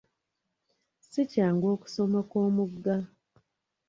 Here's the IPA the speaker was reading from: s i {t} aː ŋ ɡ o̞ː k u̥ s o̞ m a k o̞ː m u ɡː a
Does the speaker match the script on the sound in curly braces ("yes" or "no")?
no